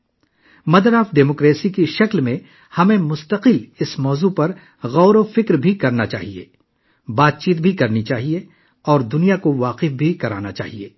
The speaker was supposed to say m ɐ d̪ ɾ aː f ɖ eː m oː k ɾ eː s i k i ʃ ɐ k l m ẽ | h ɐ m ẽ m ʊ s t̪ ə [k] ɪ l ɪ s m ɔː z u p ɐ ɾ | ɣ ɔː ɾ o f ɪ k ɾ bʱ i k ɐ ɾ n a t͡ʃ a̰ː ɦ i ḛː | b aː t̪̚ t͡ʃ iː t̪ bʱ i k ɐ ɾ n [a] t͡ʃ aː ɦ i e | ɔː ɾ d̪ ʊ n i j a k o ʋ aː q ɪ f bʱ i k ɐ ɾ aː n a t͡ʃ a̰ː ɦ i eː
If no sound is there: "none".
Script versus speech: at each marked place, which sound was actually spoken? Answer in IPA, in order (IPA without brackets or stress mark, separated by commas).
q, i